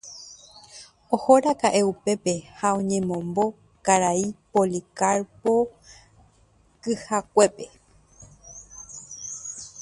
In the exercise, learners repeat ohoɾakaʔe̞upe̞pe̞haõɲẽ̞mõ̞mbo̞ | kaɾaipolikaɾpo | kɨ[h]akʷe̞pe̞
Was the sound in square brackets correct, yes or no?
yes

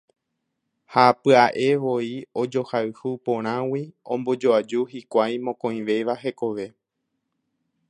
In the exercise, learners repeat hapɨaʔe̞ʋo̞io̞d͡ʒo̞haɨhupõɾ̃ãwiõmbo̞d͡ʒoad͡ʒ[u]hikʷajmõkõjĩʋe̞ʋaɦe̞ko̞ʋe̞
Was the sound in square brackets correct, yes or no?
yes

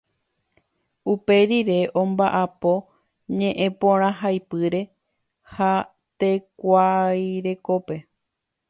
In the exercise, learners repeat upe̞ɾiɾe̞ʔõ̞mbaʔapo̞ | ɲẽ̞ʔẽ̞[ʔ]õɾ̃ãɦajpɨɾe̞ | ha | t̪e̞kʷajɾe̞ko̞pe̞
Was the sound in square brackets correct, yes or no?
no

